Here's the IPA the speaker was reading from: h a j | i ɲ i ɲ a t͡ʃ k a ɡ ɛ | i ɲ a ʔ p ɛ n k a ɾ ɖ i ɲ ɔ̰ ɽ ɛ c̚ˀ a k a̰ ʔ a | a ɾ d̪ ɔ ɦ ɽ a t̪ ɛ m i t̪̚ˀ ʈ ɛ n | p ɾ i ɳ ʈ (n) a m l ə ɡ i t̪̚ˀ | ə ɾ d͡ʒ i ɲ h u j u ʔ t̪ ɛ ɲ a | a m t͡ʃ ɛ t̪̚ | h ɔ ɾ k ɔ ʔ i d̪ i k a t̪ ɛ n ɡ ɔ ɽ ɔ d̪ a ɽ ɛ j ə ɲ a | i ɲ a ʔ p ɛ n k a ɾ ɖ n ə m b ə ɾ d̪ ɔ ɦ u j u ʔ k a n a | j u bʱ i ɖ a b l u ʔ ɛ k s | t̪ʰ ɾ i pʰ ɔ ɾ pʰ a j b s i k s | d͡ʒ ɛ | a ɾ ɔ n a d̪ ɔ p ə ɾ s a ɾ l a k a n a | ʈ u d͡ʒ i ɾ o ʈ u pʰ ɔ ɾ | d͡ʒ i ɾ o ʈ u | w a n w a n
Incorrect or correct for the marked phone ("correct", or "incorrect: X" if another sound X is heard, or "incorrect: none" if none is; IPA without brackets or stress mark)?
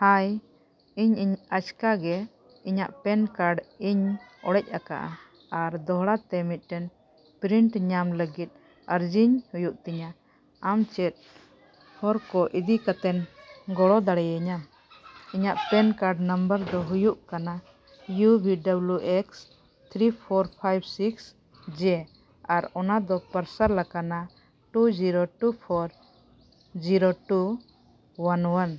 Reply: incorrect: ɲ